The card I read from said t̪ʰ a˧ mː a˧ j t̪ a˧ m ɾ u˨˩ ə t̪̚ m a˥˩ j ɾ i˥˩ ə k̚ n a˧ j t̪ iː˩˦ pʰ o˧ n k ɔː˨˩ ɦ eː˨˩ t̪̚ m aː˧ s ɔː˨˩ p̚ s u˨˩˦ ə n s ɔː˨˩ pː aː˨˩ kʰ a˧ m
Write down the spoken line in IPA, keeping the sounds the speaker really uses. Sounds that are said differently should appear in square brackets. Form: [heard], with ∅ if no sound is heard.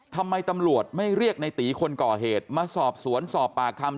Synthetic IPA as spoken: t̪ʰ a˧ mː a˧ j t̪ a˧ m ɾ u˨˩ ə t̪̚ m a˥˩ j ɾ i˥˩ ə k̚ n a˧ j t̪ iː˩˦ [kʰ] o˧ n k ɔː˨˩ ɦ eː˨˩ t̪̚ m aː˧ s ɔː˨˩ p̚ s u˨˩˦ ə n s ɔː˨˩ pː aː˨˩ kʰ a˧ m